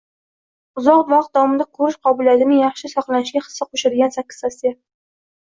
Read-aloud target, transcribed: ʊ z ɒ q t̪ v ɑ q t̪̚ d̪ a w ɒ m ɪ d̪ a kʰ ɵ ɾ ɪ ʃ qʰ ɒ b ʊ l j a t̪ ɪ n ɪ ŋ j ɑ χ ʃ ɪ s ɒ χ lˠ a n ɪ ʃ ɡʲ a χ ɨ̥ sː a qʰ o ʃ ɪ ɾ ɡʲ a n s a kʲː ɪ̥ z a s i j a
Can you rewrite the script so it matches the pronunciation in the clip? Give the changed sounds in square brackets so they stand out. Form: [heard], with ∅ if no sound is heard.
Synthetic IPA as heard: ʊ z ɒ q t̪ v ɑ q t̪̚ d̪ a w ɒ m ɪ d̪ a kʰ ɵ ɾ ɪ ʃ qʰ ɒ b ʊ l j a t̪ ɪ n ɪ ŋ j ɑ χ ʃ ɪ s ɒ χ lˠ a n ɪ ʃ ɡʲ a χ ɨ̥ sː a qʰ o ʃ ɪ ɾ ɡʲ a n s a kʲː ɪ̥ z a s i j a

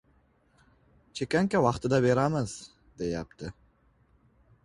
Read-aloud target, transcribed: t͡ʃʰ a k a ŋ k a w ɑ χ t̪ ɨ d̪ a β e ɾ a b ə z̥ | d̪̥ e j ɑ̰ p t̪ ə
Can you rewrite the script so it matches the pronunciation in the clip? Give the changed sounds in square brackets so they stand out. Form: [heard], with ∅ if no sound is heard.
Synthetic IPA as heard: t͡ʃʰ [e] k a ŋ k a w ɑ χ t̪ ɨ d̪ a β e ɾ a [m] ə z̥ | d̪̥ e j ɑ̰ p t̪ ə

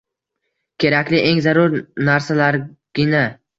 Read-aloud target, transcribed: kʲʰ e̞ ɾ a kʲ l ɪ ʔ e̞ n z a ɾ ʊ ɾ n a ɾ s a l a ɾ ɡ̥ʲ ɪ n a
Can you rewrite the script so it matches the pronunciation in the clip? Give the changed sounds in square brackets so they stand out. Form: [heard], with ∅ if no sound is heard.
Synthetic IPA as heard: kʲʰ e̞ ɾ a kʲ l ɪ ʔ e̞ [ŋ] z a ɾ ʊ ɾ n a ɾ s a l a ɾ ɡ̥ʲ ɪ n a

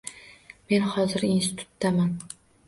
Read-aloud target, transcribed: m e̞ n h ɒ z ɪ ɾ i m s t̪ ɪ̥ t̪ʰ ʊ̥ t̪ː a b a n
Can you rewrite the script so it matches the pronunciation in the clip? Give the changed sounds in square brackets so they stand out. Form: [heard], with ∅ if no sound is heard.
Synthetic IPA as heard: m e̞ n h ɒ z ɪ ɾ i [n] s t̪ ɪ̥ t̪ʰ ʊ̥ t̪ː a [m] a n

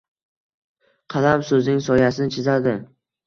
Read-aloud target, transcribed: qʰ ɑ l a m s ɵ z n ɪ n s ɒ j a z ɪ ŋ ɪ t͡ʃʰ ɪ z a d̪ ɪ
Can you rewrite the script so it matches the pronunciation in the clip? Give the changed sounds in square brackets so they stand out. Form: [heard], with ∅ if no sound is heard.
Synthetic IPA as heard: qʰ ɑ l a m s ɵ z n ɪ [ŋ] s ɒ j a [s] ɪ [n] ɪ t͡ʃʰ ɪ z a d̪ ɪ

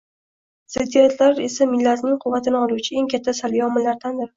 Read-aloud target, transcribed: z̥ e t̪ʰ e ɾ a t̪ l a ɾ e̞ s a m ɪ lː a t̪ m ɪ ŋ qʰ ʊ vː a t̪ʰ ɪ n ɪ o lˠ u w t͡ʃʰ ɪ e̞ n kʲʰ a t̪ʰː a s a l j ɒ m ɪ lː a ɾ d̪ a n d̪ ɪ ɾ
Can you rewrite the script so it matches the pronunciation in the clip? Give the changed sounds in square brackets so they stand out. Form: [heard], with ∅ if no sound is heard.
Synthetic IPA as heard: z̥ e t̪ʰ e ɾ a t̪ l a ɾ e̞ s a m ɪ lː a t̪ [n] ɪ ŋ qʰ ʊ vː a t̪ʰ ɪ n ɪ [ɒ] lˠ u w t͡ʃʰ ɪ e̞ [ŋ] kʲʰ a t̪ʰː a s a l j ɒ m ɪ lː a ɾ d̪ a n d̪ ɪ ɾ

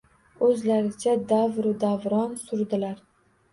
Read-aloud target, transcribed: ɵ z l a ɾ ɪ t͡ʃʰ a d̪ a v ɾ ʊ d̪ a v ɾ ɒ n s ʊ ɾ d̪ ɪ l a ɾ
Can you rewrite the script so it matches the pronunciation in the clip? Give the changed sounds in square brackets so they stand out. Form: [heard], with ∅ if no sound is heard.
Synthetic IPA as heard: ɵ z l a ɾ ɪ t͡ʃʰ a d̪ a v ɾ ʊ d̪ a v ɾ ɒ n s ʊ ɾ d̪ ɪ l a ɾ

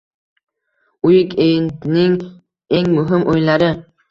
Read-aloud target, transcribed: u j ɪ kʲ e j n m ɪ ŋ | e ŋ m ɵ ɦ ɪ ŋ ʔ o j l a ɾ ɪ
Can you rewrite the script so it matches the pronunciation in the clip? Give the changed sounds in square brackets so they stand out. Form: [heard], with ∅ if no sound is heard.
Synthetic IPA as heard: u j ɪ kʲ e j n [n] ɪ ŋ | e ŋ m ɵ ɦ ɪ [m] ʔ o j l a ɾ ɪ

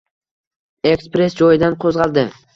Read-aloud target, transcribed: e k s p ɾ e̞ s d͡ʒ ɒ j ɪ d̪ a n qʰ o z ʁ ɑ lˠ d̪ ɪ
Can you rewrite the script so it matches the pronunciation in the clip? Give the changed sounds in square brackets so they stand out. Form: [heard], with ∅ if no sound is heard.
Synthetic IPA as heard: e k s p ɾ e̞ s d͡ʒ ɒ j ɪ d̪ a n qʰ o z ʁ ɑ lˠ d̪ ɪ

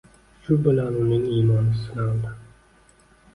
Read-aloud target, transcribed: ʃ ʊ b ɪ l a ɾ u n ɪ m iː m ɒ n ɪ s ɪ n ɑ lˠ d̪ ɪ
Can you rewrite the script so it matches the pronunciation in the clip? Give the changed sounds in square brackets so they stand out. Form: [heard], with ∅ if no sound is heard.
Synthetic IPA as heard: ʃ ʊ b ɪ l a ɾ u n ɪ [ŋ] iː m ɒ n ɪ s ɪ n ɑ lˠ d̪ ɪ

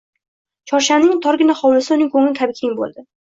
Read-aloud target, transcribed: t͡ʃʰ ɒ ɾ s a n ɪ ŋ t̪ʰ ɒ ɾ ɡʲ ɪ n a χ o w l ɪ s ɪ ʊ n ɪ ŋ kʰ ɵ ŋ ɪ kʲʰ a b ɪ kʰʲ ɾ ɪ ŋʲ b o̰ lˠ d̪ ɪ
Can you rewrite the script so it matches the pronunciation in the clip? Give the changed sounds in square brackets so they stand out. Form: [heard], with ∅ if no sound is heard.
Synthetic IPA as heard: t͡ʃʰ ɒ ɾ [ʃ] a n ɪ ŋ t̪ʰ ɒ ɾ ɡʲ ɪ n a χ [ɒ] w l ɪ s ɪ ʊ n ɪ ŋ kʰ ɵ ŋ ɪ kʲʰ a b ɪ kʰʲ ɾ ɪ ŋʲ b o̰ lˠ d̪ ɪ

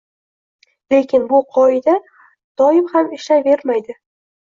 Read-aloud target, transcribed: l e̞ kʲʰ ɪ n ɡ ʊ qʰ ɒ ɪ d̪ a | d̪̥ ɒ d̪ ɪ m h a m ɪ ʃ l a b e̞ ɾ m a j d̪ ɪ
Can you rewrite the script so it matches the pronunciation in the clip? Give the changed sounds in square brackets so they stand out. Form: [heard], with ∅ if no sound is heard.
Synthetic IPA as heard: l e̞ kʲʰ ɪ n [b] ʊ qʰ ɒ ɪ d̪ a | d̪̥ ɒ [∅] ɪ m h a m ɪ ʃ l a [v] e̞ ɾ m a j d̪ ɪ

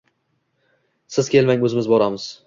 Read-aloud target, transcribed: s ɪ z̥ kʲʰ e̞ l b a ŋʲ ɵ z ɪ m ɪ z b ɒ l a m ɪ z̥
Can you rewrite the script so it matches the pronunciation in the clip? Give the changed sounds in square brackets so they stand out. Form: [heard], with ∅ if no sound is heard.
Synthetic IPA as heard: s ɪ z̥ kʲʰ e̞ l [m] a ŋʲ ɵ z ɪ m ɪ z b ɒ [ɾ] a m ɪ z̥

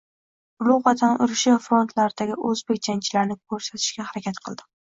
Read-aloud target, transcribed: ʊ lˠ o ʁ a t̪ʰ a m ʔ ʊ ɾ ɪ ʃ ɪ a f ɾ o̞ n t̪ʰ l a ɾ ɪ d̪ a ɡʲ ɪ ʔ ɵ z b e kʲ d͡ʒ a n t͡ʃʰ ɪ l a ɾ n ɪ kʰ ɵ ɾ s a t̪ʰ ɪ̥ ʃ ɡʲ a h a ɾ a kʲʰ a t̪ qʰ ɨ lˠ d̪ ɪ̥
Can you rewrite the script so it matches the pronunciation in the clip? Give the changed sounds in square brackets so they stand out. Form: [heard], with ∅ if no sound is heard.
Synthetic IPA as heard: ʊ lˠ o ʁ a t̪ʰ a [n] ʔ ʊ ɾ ɪ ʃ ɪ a f ɾ o̞ n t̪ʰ l a ɾ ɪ d̪ a ɡʲ ɪ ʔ ɵ z b e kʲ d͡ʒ a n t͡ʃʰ ɪ l a ɾ n ɪ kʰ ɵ ɾ s a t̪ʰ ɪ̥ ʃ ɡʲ a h a ɾ a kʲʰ a t̪ qʰ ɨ lˠ d̪ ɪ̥

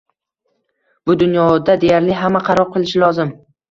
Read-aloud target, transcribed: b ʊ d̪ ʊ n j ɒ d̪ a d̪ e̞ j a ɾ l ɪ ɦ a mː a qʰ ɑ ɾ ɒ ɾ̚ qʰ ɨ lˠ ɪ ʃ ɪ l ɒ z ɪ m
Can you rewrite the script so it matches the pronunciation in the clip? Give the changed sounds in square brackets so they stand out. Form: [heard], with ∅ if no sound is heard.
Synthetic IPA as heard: b ʊ d̪ ʊ n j ɒ d̪ a d̪ e̞ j a ɾ l ɪ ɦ a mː a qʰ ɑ ɾ ɒ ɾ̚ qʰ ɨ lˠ ɪ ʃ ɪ l ɒ z ɪ m

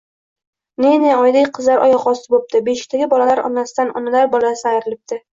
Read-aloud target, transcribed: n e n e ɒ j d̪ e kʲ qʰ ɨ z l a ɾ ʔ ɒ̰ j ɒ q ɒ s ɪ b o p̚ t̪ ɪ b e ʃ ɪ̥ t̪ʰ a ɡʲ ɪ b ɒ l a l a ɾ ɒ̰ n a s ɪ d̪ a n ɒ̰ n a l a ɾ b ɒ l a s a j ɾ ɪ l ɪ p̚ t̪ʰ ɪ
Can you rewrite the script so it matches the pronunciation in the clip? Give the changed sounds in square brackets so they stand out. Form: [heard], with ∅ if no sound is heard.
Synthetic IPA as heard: n e n e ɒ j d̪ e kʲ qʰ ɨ z l a ɾ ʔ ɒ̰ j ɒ q ɒ s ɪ b o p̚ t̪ ɪ b e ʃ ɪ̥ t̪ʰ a ɡʲ ɪ b ɒ l a l a ɾ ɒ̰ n a s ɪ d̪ a n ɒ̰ n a l a ɾ b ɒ l a s a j ɾ ɪ l ɪ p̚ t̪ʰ ɪ

